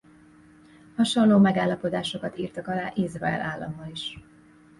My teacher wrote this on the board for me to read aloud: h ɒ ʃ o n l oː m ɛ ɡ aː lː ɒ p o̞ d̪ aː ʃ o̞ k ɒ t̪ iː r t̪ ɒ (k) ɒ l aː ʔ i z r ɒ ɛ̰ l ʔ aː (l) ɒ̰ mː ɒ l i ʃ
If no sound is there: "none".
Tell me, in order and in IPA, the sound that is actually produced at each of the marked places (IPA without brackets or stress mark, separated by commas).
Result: k, lː